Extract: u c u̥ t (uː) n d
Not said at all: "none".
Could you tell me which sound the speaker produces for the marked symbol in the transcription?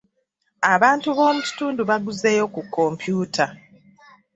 uː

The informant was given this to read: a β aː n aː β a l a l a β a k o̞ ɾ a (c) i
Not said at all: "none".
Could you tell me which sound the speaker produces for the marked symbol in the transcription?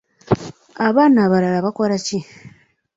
c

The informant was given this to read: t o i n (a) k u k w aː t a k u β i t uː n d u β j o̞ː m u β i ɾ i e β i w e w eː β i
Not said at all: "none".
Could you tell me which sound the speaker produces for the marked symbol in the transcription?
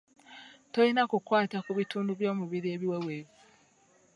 a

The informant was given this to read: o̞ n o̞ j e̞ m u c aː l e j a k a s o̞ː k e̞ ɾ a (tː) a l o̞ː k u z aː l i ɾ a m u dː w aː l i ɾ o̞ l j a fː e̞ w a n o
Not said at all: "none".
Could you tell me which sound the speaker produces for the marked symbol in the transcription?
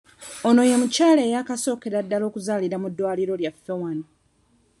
dː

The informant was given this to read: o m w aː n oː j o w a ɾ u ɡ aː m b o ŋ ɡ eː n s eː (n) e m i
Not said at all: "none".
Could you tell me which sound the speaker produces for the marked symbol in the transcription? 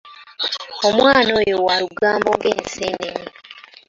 n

